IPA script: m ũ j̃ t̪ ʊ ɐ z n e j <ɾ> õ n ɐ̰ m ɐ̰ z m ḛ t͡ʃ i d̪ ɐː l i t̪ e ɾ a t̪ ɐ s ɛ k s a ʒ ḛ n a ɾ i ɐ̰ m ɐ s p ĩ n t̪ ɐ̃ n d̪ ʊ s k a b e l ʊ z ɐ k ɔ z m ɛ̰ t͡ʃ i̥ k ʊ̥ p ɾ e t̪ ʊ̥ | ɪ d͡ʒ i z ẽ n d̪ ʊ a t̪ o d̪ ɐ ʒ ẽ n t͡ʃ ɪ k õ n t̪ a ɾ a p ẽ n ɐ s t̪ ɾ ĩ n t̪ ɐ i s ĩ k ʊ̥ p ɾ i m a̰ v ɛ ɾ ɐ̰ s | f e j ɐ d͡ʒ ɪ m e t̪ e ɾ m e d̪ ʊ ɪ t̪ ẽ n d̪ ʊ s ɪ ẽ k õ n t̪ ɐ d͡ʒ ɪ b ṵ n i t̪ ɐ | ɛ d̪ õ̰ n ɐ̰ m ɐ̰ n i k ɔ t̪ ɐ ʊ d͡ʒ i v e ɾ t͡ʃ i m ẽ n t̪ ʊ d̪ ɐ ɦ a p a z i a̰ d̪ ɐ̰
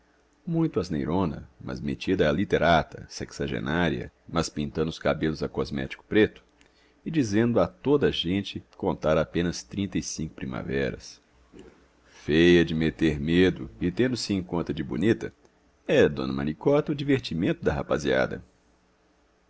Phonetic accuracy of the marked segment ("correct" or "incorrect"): correct